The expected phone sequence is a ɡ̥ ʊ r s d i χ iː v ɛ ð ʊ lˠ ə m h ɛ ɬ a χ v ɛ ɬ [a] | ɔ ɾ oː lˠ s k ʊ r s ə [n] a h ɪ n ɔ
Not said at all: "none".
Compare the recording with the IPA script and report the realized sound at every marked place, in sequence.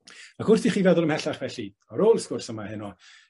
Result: i, m

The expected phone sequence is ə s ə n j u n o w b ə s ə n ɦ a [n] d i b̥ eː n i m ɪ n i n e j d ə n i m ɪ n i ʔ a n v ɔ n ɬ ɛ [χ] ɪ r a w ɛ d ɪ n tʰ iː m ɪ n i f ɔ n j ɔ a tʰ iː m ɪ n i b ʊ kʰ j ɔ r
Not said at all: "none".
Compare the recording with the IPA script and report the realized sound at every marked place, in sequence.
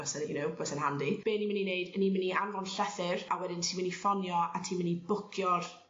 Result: n, θ

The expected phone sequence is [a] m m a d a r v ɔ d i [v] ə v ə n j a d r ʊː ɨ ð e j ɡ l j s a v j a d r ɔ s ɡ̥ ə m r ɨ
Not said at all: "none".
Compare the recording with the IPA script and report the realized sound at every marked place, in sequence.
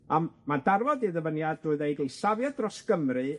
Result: a, ð

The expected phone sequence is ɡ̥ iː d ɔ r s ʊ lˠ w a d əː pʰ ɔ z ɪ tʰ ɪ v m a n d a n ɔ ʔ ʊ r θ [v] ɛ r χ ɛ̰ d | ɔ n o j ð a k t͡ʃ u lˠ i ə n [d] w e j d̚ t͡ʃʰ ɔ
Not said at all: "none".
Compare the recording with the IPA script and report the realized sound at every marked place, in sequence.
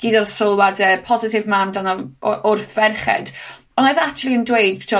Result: v, d

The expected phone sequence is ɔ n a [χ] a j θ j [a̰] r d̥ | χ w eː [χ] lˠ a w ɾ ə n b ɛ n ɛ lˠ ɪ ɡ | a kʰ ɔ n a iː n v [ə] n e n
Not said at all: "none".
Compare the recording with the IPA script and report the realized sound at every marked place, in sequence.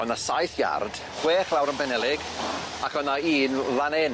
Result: s, a̰, χ, a

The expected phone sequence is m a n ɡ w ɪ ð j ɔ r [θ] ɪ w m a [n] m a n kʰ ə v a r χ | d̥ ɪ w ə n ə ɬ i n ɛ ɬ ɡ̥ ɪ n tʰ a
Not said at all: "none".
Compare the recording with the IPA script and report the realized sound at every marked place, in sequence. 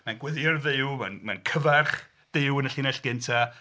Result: ð, n

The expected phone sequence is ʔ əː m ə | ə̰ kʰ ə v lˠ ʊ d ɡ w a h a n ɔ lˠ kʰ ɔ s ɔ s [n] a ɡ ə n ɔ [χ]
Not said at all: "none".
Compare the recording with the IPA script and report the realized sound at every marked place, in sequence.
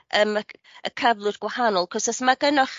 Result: m, χ

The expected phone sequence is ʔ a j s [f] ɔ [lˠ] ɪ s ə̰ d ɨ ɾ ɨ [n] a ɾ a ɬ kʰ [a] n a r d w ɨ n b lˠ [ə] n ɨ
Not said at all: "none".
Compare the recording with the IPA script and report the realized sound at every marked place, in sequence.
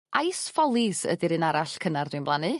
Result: f, lˠ, n, ə, a

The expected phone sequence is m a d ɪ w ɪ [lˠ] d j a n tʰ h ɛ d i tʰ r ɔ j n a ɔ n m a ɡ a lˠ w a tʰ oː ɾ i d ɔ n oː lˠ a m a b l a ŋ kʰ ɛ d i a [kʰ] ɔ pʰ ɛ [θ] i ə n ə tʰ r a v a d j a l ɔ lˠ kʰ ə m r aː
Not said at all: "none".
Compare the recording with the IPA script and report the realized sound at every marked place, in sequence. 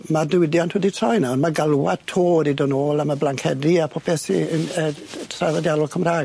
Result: none, pʰ, s

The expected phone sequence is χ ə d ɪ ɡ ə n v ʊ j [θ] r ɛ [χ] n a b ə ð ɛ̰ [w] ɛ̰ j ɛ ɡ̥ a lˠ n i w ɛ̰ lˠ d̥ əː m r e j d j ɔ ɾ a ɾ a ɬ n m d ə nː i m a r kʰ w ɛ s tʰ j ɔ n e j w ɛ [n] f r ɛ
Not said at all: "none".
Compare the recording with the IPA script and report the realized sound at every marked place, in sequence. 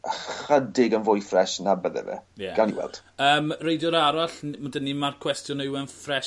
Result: f, ʃ, v, n

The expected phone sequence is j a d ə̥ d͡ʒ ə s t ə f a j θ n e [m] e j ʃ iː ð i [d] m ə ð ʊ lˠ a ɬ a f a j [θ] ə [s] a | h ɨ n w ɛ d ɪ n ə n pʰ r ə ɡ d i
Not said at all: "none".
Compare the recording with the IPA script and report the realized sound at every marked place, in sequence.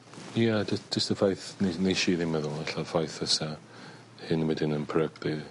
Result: n, none, θ, s

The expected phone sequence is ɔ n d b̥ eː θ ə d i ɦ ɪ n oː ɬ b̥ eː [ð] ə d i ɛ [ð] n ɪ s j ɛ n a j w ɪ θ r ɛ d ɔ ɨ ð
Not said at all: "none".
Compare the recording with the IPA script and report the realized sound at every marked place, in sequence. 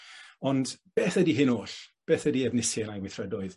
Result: θ, v

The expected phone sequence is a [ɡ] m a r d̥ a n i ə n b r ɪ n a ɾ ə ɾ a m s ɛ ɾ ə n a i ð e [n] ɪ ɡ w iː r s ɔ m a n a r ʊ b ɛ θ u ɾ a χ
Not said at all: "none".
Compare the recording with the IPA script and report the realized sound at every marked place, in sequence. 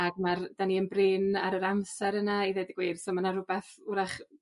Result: ɡ, d

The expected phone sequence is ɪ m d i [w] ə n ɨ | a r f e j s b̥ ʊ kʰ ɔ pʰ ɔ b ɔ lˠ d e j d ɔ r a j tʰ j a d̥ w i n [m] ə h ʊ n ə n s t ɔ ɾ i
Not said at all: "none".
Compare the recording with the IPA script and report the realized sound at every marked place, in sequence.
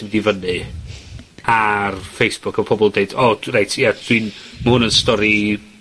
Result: v, m

